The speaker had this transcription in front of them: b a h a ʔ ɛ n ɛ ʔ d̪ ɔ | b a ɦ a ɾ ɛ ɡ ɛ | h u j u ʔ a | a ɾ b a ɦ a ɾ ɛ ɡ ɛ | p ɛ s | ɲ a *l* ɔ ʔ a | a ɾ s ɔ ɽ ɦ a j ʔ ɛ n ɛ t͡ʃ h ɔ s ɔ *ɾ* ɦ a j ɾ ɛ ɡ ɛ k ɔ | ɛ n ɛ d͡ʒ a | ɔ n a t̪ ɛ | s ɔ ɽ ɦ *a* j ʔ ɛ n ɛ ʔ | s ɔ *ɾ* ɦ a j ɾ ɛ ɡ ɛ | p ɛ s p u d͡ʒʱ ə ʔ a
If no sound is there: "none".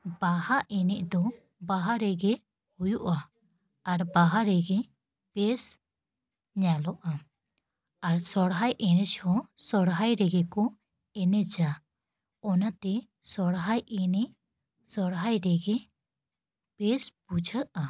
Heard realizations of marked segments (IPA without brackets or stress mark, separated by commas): l, ɽ, a, ɽ